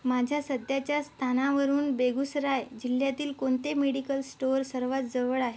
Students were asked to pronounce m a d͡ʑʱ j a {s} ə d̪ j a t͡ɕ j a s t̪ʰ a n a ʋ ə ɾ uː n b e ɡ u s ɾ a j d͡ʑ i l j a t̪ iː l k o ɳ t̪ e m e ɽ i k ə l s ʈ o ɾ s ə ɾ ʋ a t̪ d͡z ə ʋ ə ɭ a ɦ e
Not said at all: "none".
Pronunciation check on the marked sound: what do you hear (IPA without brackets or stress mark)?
s